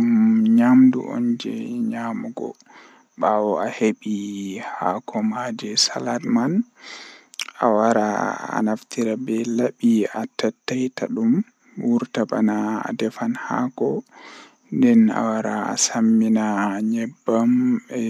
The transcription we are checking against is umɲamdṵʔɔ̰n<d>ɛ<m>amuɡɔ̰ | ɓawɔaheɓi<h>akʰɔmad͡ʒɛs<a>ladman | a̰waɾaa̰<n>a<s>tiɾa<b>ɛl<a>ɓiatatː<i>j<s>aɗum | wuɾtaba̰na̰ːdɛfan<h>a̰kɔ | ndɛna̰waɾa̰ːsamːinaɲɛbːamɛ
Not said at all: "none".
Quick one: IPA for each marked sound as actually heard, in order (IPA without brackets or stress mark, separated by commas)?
d͡ʒ, ɲ, h, a, n, f, b, a, a, t, h